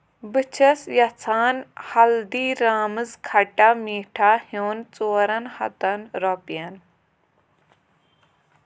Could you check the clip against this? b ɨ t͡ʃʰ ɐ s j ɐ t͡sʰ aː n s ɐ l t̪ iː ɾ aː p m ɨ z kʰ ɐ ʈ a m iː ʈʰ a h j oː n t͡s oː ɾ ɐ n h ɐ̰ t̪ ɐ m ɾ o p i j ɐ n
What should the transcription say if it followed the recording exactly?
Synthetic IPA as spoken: b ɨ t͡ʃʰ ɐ s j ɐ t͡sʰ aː n h ɐ l d̪ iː ɾ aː m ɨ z kʰ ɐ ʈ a m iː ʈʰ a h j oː n t͡s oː ɾ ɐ n h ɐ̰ t̪ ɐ n ɾ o p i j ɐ n